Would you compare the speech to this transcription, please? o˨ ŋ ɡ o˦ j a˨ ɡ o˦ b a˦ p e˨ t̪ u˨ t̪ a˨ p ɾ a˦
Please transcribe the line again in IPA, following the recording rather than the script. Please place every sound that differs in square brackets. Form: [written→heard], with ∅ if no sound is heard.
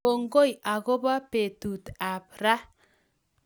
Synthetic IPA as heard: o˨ ŋ ɡ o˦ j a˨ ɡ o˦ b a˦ p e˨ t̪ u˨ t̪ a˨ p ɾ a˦